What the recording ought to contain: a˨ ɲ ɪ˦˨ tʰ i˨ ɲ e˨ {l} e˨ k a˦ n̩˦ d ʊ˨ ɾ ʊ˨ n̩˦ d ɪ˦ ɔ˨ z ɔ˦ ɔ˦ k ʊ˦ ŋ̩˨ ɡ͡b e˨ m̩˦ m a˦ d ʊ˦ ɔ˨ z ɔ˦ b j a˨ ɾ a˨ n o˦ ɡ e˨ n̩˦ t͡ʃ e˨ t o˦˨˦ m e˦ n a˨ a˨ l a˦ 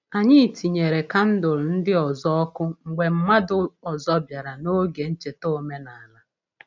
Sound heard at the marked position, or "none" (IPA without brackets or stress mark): ɾ